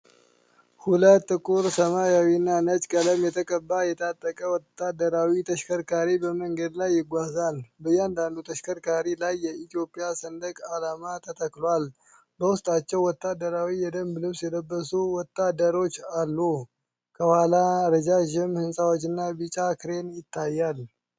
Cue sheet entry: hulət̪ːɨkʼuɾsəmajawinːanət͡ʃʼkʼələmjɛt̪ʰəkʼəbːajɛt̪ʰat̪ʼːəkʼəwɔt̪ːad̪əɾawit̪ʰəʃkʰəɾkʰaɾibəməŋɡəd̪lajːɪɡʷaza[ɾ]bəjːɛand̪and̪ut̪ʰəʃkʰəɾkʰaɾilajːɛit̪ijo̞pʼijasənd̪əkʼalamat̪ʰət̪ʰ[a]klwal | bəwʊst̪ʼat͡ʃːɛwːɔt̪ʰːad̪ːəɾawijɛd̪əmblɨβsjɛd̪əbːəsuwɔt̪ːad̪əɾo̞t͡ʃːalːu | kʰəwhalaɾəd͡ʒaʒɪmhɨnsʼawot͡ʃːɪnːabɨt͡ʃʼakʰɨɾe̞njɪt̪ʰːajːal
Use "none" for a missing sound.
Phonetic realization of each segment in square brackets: l, ə

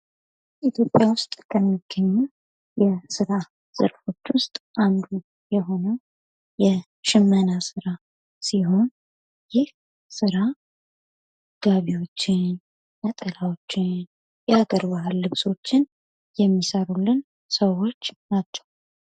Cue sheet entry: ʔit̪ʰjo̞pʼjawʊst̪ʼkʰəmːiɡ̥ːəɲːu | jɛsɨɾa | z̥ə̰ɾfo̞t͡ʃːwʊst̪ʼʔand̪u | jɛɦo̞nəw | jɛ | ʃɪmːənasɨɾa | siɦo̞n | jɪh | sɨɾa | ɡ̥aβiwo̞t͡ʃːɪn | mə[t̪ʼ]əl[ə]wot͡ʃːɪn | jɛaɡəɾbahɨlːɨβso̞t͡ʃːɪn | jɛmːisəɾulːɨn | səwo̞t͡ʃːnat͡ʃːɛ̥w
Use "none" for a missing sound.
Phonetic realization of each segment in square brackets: t̪ʼ, a

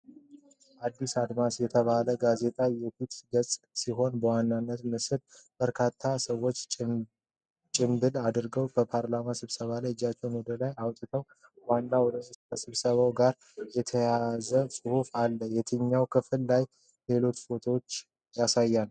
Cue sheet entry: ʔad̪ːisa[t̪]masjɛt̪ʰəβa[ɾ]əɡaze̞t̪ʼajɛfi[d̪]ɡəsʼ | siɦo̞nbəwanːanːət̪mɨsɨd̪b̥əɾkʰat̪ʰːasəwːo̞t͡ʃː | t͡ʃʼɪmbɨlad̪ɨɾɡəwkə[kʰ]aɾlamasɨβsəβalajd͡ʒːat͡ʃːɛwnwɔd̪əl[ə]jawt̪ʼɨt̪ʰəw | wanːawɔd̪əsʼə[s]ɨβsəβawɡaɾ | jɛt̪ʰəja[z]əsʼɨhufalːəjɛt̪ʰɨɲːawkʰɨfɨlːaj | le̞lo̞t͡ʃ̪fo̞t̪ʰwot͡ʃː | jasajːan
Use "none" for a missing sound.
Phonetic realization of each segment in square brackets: d̪, l, t̪, pʰ, a, s, z

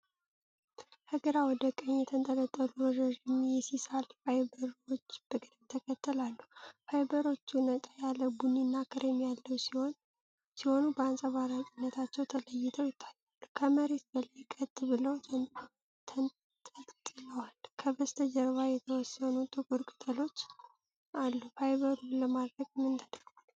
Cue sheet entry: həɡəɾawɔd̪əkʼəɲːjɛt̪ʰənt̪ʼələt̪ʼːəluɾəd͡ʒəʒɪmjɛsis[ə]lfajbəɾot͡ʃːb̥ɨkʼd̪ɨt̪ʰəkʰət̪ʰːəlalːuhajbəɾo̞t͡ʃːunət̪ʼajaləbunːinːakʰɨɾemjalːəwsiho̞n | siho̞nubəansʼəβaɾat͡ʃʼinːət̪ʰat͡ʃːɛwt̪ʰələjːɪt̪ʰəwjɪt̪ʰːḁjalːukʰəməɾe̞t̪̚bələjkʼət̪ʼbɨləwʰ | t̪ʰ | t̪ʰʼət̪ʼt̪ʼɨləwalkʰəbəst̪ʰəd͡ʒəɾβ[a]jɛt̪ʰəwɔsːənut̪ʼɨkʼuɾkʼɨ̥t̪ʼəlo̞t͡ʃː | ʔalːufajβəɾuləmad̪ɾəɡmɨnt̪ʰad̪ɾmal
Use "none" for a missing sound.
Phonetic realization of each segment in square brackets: a, a

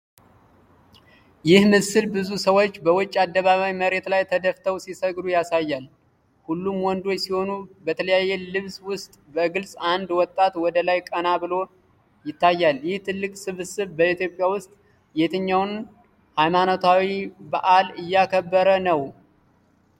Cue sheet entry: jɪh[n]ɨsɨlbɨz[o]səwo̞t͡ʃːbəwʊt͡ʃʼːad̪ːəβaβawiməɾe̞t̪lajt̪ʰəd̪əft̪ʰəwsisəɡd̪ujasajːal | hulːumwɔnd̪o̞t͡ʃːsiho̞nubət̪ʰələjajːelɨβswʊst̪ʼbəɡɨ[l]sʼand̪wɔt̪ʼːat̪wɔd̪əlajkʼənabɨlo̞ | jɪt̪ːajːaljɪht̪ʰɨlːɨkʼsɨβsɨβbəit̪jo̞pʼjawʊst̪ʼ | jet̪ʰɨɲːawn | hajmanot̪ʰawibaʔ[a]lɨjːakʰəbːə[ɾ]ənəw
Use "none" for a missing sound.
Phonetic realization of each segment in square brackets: m, u, l, a, ɾ

